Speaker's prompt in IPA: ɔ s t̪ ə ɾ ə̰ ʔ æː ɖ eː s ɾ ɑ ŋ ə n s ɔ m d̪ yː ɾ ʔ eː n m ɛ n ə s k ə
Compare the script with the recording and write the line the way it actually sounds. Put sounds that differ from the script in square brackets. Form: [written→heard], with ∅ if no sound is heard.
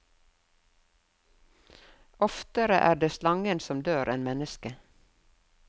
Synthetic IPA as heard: ɔ [s→f] t̪ ə ɾ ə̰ ʔ æː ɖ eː s [ɾ→l] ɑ ŋ ə n s ɔ m d̪ [yː→øː] ɾ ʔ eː n m ɛ n ə s k ə